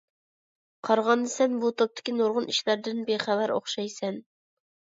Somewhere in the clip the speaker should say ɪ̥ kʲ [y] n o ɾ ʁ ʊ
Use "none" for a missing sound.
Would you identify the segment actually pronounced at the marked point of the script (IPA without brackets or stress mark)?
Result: i